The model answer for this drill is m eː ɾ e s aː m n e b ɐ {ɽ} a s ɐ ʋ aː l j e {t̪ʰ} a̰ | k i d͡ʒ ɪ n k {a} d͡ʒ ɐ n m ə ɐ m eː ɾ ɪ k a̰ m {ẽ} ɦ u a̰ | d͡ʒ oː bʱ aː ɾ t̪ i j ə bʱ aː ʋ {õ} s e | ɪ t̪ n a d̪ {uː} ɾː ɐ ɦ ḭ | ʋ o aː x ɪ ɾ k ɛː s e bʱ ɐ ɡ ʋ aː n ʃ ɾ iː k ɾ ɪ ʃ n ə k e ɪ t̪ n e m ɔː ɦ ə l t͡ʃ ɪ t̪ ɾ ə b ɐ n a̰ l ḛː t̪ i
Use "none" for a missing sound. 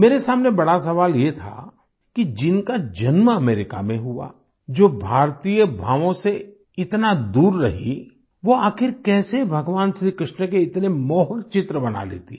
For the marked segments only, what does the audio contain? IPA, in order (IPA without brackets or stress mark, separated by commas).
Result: ɽ, t̪ʰ, a, ẽ, õ, uː